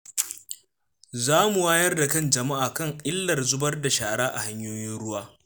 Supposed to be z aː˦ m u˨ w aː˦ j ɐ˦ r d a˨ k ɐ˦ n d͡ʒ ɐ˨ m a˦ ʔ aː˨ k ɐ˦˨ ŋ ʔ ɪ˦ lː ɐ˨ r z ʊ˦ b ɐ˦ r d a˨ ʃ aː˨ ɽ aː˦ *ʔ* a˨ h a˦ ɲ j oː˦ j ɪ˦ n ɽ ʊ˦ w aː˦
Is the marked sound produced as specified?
yes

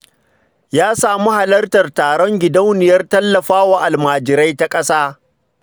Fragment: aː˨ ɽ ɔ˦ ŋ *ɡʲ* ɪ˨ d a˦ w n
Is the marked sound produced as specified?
yes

